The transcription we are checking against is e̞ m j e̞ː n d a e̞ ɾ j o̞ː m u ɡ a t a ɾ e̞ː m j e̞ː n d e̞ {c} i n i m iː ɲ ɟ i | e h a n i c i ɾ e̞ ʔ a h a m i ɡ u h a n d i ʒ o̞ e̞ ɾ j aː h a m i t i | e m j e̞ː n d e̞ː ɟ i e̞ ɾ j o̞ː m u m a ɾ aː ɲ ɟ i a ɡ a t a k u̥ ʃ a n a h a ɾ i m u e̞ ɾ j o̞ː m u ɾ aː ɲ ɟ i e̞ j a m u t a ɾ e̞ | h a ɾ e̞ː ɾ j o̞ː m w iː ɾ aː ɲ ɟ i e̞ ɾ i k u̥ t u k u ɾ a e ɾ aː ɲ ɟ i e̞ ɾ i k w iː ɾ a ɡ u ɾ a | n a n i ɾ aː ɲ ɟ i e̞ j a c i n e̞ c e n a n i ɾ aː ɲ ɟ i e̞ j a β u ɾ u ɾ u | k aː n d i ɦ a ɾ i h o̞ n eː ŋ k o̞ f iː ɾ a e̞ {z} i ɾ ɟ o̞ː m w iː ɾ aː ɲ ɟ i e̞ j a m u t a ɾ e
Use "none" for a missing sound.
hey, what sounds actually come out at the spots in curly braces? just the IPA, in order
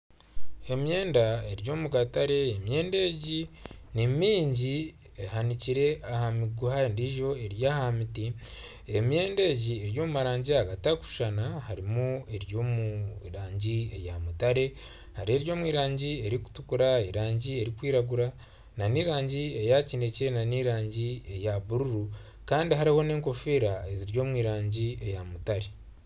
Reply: ɟ, z

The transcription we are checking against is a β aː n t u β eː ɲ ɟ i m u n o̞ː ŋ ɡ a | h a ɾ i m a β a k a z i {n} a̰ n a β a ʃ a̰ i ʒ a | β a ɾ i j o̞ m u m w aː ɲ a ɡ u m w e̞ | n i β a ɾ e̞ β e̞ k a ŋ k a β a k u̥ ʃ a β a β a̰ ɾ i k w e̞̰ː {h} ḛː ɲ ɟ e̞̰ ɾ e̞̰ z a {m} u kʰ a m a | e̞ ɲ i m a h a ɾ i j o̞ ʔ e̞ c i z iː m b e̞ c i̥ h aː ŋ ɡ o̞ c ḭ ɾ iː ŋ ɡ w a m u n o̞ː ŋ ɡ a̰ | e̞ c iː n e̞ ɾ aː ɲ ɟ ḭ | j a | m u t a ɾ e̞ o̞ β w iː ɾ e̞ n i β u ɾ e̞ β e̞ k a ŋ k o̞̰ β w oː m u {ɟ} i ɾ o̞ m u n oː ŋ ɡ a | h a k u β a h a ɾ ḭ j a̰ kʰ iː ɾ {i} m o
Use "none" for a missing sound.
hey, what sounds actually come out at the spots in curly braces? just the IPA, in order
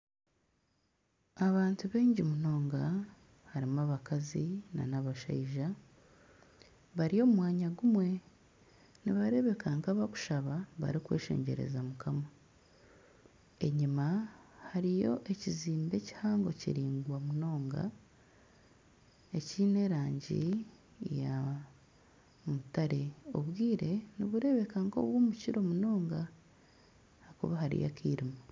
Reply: n, ʃ, m, c, i

